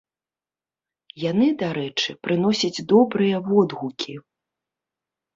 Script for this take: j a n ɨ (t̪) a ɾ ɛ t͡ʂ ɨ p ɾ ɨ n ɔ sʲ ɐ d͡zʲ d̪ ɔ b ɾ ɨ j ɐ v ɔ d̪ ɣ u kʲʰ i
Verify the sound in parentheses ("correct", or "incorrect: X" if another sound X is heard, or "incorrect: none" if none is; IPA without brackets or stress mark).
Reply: incorrect: d̪